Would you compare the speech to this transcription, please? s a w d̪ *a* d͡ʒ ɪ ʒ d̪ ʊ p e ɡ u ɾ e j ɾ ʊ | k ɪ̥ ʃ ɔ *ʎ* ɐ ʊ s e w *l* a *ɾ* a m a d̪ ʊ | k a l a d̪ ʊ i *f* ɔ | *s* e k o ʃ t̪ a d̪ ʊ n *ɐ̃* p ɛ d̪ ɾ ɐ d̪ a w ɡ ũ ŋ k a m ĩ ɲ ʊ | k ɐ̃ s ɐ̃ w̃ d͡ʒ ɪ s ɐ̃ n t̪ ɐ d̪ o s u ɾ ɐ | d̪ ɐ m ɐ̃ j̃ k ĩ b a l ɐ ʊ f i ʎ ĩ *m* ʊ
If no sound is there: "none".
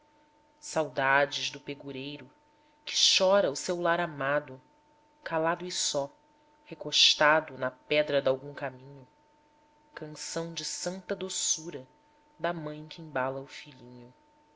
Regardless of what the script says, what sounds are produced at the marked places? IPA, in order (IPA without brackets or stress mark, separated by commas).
a, ɾ, l, ɾ, s, h, ɐ, ɲ